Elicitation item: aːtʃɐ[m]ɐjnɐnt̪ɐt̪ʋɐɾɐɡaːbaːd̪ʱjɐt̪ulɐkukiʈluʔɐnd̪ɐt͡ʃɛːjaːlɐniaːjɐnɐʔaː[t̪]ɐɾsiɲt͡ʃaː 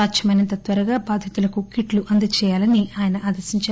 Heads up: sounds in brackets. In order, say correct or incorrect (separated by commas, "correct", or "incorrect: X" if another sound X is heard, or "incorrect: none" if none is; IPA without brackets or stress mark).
correct, incorrect: d̪